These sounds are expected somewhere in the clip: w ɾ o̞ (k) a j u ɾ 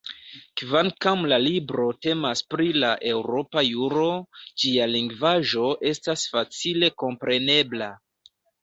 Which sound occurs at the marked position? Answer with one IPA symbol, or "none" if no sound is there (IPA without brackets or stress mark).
p